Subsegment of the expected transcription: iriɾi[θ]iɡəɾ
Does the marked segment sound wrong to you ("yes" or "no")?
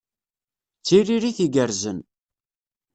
no